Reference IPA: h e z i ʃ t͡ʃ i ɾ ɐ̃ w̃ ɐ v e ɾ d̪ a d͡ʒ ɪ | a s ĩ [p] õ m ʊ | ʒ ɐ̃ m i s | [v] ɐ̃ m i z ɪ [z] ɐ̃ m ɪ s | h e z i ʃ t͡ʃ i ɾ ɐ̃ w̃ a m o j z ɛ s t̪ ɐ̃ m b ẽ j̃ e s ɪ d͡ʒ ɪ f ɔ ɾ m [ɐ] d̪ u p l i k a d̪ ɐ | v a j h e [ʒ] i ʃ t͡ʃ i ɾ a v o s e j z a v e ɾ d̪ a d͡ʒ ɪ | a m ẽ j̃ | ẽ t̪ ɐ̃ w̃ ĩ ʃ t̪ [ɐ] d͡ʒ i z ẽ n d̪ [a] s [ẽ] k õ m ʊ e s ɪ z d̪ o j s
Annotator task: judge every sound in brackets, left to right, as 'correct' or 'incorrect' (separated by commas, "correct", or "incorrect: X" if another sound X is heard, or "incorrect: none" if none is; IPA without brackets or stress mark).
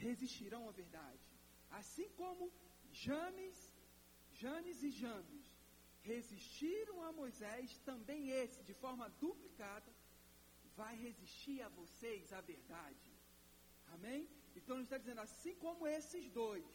incorrect: k, incorrect: ʒ, incorrect: ʒ, correct, incorrect: z, incorrect: a, correct, incorrect: ĩ